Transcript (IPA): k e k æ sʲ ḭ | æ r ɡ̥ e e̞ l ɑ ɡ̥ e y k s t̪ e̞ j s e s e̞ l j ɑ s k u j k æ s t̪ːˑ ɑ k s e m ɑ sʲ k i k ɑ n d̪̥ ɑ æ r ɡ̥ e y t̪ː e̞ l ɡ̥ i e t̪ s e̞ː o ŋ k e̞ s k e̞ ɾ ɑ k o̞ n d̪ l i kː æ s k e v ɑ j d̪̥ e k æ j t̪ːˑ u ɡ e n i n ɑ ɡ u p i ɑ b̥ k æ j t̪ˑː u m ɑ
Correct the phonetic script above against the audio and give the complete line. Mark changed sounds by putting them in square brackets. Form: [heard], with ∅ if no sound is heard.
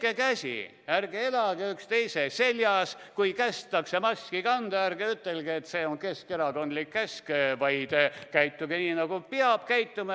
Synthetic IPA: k e k æ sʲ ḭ | æ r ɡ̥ e e̞ l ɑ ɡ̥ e y k s t̪ e̞ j s e s e̞ l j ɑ s k u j k æ s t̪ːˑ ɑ k s e m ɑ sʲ k i k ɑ n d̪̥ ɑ æ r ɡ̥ e y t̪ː e̞ l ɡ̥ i e t̪ s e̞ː o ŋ k e̞ s k e̞ ɾ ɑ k o̞ n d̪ l i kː æ s k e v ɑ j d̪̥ e k æ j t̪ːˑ u ɡ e n [iː] n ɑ ɡ u p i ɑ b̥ k æ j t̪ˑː u m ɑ